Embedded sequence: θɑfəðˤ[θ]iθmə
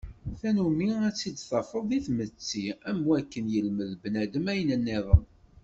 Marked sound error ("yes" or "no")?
yes